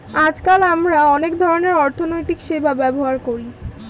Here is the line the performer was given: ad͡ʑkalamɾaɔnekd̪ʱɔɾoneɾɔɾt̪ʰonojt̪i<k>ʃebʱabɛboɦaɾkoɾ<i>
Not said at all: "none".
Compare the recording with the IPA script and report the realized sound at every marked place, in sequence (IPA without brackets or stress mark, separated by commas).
k, i